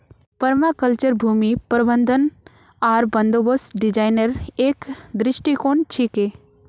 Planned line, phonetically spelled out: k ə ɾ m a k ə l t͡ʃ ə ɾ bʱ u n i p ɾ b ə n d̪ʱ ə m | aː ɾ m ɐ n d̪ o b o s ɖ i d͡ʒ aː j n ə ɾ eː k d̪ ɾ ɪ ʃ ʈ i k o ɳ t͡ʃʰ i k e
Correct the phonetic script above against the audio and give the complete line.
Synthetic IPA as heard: p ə ɾ m a k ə l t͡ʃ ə ɾ bʱ u m i p ɾ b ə n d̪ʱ ə n | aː ɾ b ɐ n d̪ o b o s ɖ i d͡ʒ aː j n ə ɾ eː k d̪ ɾ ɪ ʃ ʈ i k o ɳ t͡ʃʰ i k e